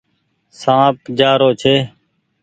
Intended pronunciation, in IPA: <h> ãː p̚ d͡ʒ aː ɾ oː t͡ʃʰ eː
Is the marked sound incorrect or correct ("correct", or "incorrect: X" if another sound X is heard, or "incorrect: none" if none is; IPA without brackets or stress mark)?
incorrect: s